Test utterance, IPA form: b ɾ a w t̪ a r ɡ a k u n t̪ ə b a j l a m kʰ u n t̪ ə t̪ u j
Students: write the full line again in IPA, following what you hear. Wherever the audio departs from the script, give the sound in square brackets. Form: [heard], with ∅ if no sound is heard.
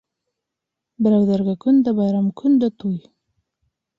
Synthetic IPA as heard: b ɾ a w [d̪] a [ɾ] ɡ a k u n [d̪] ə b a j [ɾ] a m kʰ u n [d̪] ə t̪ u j